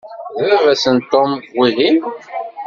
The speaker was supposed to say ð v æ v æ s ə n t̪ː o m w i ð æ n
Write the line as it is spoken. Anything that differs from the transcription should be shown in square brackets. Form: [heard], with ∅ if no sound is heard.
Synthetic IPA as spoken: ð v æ v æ s ə n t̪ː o m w i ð [i] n